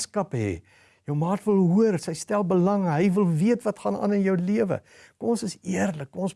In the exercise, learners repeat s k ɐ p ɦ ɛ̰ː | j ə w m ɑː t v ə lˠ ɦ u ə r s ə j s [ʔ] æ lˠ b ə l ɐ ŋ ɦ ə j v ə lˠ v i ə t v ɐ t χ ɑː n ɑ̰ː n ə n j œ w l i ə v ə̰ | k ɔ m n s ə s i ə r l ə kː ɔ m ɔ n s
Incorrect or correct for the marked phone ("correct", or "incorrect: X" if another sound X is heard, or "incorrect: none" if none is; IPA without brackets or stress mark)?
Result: incorrect: t